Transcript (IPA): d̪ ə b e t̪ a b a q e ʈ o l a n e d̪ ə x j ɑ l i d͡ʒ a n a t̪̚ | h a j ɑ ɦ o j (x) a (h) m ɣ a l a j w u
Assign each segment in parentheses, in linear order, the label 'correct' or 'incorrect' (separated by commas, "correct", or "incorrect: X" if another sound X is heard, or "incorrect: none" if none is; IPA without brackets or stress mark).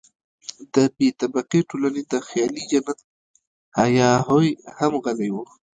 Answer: incorrect: h, incorrect: none